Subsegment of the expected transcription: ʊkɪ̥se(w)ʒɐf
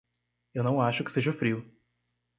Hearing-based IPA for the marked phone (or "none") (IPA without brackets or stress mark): none